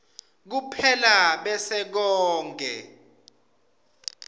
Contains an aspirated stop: yes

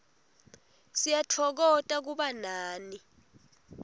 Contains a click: no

